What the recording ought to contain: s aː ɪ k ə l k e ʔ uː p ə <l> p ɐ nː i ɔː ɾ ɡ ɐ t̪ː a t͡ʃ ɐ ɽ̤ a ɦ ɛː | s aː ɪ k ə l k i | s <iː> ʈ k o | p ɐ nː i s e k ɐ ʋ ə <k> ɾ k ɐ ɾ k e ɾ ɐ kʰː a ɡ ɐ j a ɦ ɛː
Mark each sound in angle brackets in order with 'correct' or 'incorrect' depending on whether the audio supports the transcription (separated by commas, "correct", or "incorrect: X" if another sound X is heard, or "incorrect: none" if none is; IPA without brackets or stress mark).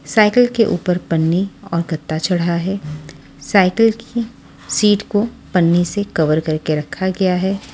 incorrect: ɾ, correct, incorrect: none